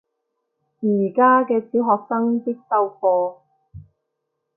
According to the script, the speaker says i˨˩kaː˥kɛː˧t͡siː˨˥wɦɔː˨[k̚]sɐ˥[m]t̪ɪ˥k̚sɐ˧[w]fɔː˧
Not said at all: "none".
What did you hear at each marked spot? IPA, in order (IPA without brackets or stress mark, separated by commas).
k̚, ŋ, w